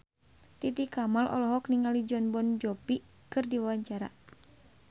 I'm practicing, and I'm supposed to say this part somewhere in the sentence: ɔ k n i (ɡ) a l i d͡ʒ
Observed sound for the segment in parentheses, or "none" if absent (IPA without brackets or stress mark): ŋ